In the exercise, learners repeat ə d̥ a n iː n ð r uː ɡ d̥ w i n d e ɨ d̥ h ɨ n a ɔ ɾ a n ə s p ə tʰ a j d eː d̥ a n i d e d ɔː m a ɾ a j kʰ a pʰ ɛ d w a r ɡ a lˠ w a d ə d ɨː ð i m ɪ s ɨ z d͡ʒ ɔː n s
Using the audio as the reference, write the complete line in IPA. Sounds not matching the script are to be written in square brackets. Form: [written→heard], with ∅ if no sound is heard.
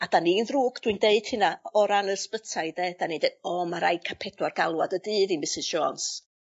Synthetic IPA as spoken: [ə→a] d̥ a n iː n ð r uː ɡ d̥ w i n d e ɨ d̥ h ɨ n a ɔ ɾ a n ə s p ə tʰ a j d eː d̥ a n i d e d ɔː m a ɾ a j kʰ a pʰ ɛ d w a r ɡ a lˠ w a d ə d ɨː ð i m ɪ s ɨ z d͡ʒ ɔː n s